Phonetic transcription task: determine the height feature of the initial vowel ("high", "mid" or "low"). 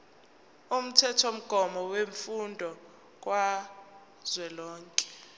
high